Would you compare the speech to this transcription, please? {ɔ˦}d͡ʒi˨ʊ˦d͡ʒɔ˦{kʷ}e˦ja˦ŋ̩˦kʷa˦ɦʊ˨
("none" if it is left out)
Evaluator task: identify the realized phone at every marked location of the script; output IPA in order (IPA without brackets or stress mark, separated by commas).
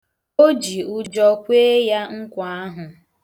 o˦, kʷ